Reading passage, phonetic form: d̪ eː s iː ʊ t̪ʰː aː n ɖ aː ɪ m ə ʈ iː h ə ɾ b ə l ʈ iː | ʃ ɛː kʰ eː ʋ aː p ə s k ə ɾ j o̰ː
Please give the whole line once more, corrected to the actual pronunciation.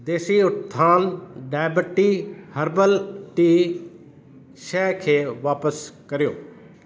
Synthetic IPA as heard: d̪ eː s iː ʊ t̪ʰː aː n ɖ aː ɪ b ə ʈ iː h ə ɾ b ə l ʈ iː | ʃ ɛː kʰ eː ʋ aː p ə s k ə ɾ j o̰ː